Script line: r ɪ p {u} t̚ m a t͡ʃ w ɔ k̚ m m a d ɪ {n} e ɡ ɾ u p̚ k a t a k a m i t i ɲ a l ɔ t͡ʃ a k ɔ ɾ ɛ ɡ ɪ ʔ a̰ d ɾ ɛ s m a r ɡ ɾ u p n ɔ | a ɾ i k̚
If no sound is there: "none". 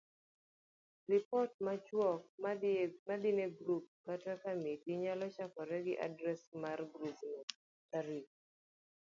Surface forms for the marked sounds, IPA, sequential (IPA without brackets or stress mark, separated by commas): ɔ, n